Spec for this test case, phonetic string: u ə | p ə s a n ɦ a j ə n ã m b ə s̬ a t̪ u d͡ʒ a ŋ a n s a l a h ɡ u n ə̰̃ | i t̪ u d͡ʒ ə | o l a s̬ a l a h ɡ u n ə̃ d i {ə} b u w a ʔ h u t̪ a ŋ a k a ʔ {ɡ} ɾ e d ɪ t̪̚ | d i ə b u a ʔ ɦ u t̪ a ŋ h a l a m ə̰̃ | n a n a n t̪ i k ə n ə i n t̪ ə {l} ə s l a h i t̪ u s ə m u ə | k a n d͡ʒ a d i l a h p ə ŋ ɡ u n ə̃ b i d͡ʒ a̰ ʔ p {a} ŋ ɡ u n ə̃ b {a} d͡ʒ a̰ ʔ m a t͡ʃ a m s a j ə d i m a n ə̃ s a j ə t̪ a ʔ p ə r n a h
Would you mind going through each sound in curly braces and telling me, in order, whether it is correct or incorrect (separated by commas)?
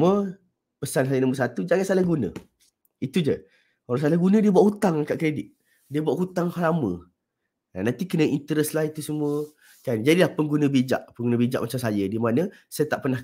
correct, incorrect, incorrect, incorrect, incorrect